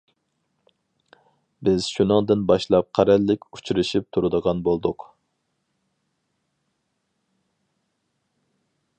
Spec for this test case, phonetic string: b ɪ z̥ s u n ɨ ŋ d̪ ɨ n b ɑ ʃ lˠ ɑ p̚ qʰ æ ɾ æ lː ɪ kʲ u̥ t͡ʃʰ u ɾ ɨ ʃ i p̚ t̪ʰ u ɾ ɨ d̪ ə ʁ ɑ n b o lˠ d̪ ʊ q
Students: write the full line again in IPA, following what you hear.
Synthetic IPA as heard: b ɪ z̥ ʃ u n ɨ ŋ d̪ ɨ n b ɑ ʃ lˠ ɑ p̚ qʰ æ ɾ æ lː ɪ kʲ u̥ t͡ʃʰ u ɾ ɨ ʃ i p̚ t̪ʰ u ɾ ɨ d̪ ə ʁ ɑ n b o lˠ d̪ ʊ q

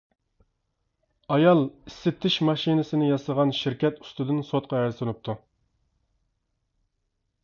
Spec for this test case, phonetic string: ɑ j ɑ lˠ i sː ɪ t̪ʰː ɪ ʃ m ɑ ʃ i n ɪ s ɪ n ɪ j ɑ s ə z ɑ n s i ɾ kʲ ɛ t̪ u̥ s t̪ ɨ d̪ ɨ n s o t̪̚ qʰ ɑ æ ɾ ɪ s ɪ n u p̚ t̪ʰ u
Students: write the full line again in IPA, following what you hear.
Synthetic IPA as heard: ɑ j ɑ lˠ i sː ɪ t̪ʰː ɪ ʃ m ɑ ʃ i n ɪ s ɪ n ɪ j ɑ s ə ʁ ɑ n ʃ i ɾ kʲ ɛ t̪ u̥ s t̪ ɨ d̪ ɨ n s o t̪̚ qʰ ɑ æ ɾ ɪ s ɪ n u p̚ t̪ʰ u

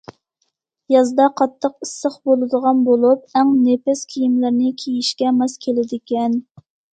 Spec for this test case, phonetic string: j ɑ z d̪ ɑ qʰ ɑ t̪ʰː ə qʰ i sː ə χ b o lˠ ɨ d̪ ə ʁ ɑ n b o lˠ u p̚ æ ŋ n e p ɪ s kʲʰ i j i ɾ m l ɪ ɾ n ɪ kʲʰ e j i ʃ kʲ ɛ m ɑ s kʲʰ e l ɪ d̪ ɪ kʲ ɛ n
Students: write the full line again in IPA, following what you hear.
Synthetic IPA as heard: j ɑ z d̪ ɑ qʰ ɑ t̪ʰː ə q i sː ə χ b o lˠ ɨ d̪ ə ʁ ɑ n b o lˠ u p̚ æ ŋ n e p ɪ s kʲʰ i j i m l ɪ ɾ n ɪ kʲʰ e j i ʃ kʲ ɛ m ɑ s kʲʰ e l ɪ d̪ ɪ kʲ ɛ n

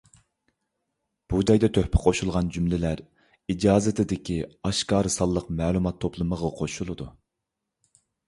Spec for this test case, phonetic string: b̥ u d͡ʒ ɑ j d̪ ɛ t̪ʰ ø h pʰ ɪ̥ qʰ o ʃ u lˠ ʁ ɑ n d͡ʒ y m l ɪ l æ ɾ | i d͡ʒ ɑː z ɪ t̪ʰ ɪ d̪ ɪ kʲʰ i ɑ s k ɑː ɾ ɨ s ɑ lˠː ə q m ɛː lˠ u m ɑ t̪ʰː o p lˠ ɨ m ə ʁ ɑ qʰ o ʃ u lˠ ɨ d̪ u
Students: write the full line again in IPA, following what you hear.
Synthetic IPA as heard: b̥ u d͡ʒ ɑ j d̪ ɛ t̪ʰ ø h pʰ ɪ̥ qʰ o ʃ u lˠ ʁ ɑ n d͡ʒ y m l ɪ l æ ɾ | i d͡ʒ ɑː z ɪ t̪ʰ ɪ d̪ ɪ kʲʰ i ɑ ʃ k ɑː ɾ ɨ s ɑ lˠː ə q m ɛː lˠ u m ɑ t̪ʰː o p lˠ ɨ m ə ʁ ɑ qʰ o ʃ u lˠ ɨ d̪ u

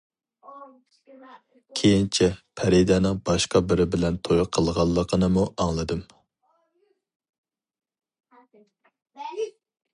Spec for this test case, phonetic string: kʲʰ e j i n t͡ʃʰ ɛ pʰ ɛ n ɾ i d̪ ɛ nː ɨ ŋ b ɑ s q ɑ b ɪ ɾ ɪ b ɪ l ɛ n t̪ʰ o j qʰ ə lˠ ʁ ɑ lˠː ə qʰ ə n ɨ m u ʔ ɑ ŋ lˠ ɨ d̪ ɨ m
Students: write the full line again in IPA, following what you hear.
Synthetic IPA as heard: kʲʰ e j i n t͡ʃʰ ɛ pʰ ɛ ɾ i d̪ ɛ n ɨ ŋ b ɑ ʃ q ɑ b ɪ ɾ ɪ b ɪ l ɛ n t̪ʰ o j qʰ ə lˠ ʁ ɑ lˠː ə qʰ ə n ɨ m u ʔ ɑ ŋ lˠ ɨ d̪ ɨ m

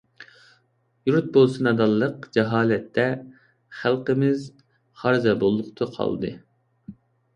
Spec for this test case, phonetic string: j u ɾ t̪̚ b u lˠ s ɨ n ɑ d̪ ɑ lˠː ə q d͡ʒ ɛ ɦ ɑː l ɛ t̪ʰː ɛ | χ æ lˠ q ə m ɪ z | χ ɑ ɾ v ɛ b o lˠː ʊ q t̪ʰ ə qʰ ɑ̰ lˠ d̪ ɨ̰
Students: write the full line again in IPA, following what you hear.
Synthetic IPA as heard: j u ɾ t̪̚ b o lˠ s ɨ n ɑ d̪ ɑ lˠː ə q d͡ʒ ɛ ɦ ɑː l ɛ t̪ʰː ɛ | χ æ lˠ q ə m ɪ z | χ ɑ ɾ z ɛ b o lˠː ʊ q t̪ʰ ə qʰ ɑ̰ lˠ d̪ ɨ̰

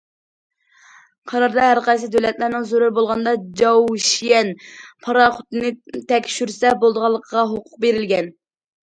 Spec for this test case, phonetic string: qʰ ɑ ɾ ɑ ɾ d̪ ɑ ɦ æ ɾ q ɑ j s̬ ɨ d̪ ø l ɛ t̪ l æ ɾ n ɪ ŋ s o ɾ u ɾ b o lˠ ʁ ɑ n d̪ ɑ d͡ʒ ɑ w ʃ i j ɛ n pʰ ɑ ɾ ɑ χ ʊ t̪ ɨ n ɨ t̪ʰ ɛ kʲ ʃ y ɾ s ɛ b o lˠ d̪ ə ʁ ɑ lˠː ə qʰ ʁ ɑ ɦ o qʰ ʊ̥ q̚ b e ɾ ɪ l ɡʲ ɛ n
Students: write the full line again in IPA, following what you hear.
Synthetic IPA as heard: qʰ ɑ ɾ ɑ ɾ d̪ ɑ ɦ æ ɾ q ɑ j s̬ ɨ d̪ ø l ɛ t̪ l æ ɾ n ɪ ŋ z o ɾ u ɾ b o lˠ ʁ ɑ n d̪ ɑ d͡ʒ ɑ w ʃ i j ɛ n pʰ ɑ ɾ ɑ χ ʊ t̪ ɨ n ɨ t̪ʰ ɛ kʲ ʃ y ɾ s ɛ b o lˠ d̪ ə ʁ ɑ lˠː ə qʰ ʁ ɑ ɦ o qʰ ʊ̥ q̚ b e ɾ ɪ l ɡʲ ɛ n

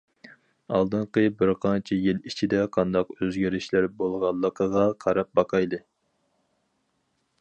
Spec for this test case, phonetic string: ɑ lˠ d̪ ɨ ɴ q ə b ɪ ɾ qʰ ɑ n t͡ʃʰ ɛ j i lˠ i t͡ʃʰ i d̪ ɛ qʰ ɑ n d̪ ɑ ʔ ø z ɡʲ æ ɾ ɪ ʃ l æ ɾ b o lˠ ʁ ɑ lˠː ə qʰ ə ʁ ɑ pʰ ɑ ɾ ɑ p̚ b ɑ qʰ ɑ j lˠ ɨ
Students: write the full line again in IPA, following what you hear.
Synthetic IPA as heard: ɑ lˠ d̪ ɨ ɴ q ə b ɪ ɾ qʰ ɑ n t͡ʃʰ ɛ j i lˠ i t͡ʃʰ i d̪ ɛ qʰ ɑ n d̪ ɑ q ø z ɡʲ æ ɾ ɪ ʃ l æ ɾ b o lˠ ʁ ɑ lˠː ə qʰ ə ʁ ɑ qʰ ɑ ɾ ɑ p̚ b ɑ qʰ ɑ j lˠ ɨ

